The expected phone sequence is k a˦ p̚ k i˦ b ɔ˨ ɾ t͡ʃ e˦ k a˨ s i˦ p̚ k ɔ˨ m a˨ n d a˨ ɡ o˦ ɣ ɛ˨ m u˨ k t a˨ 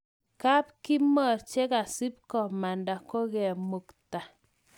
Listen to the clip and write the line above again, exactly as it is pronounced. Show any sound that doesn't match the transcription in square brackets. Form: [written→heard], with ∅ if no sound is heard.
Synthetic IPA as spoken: k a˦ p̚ k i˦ [b→m] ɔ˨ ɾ t͡ʃ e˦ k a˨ s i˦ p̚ k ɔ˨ m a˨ n d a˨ [ɡ→k] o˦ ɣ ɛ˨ m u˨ k t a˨